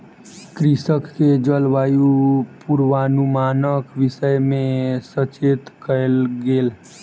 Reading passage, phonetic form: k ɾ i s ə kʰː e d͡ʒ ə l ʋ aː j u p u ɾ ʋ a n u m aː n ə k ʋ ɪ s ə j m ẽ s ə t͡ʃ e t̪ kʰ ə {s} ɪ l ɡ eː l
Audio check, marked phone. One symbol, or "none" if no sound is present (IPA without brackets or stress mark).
none